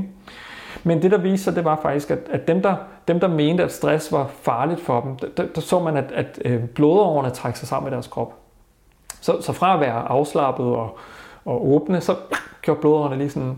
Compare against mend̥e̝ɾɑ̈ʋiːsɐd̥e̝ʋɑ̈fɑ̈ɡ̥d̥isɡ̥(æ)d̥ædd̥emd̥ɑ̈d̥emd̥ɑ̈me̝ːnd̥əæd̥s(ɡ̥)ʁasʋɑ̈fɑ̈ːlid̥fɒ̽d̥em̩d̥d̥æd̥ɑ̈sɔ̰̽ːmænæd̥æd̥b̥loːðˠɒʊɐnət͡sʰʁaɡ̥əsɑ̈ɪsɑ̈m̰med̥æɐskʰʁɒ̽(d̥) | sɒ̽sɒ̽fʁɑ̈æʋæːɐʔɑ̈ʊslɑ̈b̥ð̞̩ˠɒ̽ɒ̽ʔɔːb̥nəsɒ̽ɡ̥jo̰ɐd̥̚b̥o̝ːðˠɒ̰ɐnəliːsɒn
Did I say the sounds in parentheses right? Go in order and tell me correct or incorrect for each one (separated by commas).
correct, incorrect, incorrect